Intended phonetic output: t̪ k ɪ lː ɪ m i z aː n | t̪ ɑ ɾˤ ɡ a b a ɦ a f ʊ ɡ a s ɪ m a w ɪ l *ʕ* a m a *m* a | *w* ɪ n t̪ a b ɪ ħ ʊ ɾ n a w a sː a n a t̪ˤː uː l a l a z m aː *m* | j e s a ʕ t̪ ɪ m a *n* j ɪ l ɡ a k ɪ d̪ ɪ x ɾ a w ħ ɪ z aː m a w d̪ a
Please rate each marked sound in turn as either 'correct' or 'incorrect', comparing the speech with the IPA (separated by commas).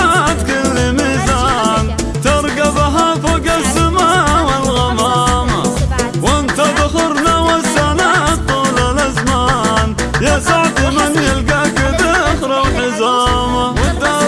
incorrect, correct, correct, incorrect, correct